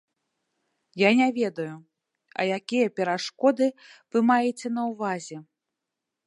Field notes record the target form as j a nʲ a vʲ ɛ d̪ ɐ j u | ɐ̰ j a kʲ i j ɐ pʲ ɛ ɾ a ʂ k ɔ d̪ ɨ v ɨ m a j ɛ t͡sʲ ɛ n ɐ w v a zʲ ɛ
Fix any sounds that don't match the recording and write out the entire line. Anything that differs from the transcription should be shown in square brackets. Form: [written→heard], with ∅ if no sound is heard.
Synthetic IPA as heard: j a nʲ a vʲ ɛ d̪ ɐ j u | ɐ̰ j a kʲ i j ɐ pʲ ɛ ɾ a ʂ k ɔ d̪ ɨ v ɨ m a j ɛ t͡sʲ ɛ n ɐ w v a zʲ ɛ